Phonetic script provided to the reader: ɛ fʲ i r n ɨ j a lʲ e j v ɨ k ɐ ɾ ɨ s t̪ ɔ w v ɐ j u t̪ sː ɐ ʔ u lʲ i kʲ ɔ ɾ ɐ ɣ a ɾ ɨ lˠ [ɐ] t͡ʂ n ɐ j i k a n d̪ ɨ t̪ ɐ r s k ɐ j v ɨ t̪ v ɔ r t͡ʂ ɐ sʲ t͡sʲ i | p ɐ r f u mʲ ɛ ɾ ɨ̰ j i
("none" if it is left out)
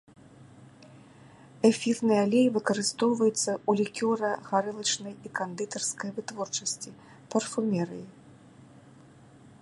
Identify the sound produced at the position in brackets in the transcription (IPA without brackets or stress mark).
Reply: ɐ